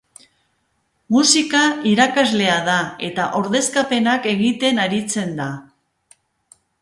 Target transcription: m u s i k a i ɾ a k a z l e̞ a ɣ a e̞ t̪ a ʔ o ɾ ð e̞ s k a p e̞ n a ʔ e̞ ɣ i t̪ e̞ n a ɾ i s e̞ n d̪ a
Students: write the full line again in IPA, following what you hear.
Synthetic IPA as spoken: m u s i k a i ɾ a k a z l e̞ a ð a e̞ t̪ a ʔ o ɾ ð e̞ s k a p e̞ n a k e̞ ɣ i t̪ e̞ n a ɾ i t͡s e̞ n d̪ a